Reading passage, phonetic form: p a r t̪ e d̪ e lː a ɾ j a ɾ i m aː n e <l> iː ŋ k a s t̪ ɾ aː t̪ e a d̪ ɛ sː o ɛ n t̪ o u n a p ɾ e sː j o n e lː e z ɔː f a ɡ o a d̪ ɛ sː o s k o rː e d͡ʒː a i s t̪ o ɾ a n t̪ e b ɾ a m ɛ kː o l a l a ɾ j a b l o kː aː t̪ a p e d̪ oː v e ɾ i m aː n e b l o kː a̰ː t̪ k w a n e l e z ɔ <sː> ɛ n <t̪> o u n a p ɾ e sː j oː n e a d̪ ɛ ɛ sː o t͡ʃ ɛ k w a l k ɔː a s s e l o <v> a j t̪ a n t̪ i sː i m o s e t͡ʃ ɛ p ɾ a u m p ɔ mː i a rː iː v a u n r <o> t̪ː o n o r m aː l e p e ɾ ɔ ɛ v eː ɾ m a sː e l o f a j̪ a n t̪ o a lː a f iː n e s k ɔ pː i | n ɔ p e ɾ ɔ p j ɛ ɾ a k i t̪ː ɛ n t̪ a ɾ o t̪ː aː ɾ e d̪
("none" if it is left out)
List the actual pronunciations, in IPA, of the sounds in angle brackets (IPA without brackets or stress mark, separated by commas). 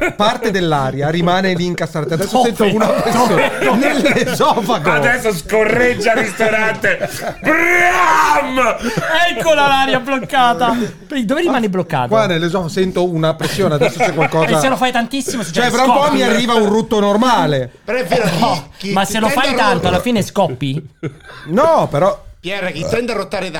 l, s, t̪, f, u